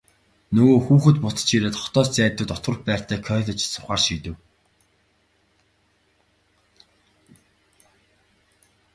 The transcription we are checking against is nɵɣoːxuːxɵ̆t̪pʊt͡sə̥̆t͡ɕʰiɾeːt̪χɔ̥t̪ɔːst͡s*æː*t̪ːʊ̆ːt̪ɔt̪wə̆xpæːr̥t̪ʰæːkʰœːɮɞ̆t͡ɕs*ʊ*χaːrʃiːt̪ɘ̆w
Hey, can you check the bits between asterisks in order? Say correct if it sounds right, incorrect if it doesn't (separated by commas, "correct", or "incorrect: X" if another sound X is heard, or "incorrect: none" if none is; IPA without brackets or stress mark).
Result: correct, correct